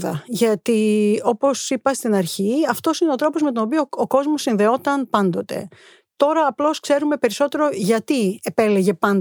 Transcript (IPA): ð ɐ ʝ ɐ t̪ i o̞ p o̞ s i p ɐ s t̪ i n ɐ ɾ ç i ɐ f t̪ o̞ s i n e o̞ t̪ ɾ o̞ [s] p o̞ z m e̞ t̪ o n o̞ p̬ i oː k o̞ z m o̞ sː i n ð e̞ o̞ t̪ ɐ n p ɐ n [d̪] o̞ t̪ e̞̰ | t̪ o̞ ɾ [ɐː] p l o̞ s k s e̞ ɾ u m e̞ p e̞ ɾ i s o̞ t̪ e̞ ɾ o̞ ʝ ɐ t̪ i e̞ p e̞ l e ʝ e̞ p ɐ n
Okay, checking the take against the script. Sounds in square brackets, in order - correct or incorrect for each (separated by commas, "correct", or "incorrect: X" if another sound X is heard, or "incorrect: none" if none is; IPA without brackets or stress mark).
incorrect: none, correct, correct